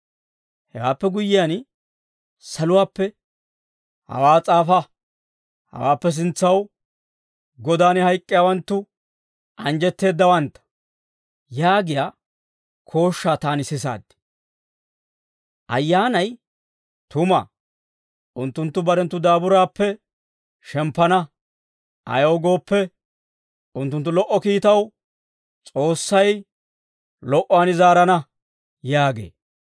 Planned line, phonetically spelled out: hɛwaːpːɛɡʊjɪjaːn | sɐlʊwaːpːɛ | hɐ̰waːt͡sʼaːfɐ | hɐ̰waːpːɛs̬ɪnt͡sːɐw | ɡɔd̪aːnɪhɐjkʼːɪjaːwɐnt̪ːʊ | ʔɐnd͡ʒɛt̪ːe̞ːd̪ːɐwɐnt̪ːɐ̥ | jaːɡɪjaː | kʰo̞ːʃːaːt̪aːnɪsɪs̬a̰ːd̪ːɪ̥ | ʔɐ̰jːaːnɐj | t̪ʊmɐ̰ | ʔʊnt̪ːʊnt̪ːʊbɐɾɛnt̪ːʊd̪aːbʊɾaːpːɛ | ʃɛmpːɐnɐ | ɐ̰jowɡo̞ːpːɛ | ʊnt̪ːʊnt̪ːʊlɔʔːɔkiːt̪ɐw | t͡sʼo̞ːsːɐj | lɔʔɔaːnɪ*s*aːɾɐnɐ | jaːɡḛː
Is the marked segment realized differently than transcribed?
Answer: yes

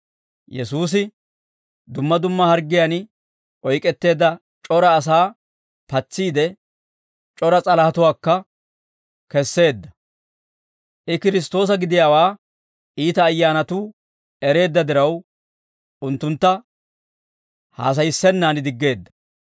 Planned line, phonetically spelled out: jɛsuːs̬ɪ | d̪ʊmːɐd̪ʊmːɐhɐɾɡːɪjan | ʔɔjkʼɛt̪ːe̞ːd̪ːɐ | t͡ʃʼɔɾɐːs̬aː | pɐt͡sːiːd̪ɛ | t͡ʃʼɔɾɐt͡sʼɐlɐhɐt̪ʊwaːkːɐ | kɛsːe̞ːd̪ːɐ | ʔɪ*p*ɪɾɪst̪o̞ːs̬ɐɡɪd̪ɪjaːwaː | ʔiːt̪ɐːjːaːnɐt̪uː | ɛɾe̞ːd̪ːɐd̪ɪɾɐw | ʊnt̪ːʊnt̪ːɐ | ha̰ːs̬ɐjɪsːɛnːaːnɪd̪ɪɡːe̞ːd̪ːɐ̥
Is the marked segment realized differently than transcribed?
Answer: yes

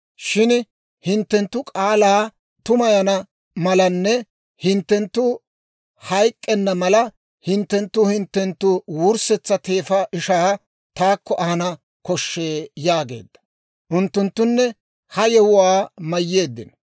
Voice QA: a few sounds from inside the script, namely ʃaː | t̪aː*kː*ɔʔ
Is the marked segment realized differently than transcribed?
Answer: no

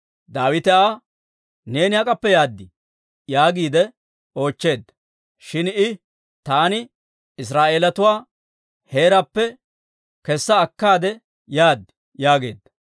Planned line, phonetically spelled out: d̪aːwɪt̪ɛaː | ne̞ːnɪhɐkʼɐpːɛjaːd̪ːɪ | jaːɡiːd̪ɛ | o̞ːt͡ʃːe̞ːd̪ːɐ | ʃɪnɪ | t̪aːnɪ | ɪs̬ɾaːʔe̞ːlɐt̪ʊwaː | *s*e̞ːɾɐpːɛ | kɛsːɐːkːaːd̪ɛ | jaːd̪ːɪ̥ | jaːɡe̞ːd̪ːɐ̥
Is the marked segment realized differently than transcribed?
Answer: yes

